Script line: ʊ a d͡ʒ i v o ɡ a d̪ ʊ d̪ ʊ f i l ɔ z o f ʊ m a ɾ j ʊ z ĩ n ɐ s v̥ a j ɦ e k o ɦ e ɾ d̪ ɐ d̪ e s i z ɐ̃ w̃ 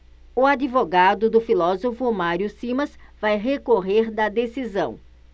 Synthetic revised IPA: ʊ a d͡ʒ i v o ɡ a d̪ ʊ d̪ ʊ f i l ɔ z o f ʊ m a ɾ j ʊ s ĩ m ɐ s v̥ a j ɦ e k o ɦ e ɾ d̪ ɐ d̪ e s i z ɐ̃ w̃